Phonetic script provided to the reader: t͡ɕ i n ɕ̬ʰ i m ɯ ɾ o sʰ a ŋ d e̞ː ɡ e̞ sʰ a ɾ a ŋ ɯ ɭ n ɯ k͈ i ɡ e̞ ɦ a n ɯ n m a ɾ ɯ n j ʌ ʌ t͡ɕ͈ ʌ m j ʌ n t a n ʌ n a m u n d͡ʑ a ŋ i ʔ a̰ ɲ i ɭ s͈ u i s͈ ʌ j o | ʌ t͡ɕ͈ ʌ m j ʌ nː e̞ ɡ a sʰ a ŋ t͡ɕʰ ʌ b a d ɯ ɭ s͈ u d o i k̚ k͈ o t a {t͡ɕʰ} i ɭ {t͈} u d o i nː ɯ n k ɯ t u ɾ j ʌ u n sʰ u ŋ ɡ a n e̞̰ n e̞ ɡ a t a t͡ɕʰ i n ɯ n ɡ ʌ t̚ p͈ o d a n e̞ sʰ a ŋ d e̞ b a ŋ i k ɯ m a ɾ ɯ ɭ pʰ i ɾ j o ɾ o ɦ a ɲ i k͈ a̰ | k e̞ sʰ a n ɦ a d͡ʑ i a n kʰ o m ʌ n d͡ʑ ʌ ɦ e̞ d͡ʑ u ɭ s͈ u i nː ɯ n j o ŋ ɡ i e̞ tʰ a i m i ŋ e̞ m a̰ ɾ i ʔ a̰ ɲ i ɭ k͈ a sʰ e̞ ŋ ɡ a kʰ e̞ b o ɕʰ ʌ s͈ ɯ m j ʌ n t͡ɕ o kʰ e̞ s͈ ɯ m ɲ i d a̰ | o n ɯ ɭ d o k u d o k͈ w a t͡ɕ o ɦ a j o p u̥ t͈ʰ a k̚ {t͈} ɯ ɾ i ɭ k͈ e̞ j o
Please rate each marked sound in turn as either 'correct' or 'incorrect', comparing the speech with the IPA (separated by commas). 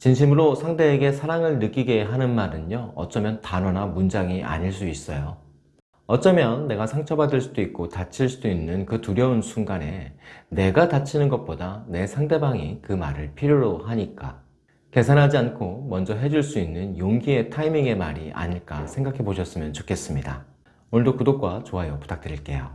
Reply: correct, incorrect, correct